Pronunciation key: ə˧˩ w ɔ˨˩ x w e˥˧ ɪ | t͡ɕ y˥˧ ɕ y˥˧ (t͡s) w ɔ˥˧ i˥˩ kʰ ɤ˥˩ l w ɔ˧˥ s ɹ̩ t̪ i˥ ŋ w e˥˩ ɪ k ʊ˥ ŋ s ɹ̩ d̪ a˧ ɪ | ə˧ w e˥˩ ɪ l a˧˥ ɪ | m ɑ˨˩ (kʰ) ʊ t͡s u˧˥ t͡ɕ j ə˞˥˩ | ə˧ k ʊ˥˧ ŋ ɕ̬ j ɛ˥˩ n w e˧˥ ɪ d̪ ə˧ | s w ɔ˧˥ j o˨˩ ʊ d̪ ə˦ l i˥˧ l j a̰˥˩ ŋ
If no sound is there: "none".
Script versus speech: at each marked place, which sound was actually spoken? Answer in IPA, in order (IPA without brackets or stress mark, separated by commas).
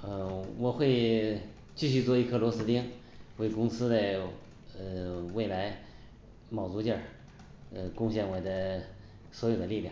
t͡s, none